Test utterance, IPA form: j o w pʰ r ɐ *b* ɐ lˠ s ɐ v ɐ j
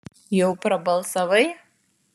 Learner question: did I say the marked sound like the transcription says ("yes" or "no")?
yes